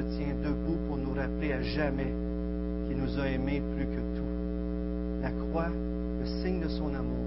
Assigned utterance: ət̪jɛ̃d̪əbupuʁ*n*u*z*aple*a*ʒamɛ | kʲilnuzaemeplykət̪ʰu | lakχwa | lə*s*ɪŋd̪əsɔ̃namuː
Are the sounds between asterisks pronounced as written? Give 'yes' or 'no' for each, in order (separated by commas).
yes, no, yes, yes